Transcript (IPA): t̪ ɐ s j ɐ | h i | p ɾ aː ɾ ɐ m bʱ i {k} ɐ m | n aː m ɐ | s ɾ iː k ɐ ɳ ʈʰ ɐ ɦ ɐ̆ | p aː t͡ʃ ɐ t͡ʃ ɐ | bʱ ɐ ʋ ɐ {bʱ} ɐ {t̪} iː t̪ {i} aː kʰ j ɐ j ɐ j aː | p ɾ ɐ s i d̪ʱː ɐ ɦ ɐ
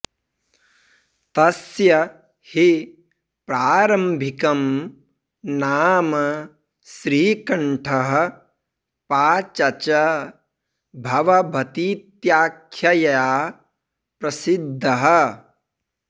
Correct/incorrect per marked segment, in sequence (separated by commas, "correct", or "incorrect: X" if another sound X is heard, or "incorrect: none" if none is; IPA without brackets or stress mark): correct, correct, correct, incorrect: j